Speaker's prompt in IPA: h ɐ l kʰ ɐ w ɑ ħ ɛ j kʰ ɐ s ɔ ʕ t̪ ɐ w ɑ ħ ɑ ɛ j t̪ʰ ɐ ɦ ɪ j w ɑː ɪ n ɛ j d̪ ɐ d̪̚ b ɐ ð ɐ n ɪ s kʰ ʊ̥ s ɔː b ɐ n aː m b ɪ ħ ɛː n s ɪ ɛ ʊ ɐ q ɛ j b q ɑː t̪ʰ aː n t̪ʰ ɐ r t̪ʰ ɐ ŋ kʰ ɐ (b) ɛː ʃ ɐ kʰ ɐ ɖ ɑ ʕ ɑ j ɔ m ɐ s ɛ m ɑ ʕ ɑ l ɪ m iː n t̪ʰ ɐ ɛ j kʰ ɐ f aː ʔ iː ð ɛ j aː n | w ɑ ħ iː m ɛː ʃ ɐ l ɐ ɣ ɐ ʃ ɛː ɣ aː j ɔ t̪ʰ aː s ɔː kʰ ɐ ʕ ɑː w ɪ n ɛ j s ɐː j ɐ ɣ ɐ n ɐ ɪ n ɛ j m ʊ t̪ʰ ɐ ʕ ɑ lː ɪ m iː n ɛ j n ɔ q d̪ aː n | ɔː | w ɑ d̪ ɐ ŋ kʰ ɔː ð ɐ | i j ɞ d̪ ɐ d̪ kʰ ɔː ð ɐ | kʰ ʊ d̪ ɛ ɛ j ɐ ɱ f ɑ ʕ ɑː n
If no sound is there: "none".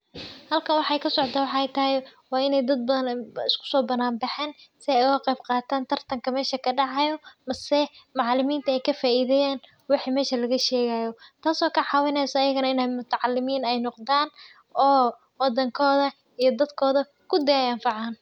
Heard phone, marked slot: m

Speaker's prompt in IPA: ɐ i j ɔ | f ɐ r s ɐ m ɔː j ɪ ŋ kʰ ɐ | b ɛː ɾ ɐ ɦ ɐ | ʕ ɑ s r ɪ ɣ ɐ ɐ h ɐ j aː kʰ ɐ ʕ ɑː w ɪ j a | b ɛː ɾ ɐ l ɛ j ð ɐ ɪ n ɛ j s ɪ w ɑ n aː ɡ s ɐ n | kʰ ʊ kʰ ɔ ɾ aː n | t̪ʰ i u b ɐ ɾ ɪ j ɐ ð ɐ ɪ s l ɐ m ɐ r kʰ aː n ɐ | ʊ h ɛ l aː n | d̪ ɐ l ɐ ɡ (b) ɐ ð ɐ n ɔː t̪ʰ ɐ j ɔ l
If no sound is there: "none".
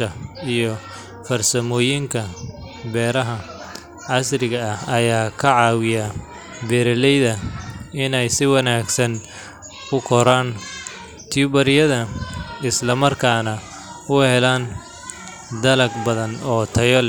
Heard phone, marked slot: b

